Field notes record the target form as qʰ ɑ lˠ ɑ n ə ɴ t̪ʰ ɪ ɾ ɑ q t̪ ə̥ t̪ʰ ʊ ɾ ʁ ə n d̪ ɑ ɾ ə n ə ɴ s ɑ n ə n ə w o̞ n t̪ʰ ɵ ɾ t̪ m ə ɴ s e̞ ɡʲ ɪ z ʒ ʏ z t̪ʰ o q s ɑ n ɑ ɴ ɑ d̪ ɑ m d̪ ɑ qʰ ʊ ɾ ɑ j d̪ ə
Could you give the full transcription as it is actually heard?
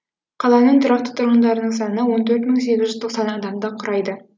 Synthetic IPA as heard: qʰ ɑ lˠ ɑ n ə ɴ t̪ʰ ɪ ɾ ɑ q t̪ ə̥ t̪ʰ ʊ ɾ ʁ ə n d̪ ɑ ɾ ə n ə ɴ s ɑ n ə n ə w o̞ n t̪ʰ ɵ ɾ t̪ m ə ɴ s e̞ ɡʲ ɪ z ʒ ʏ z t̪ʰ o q s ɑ n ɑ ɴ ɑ d̪ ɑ m d̪ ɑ qʰ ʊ ɾ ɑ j d̪ ə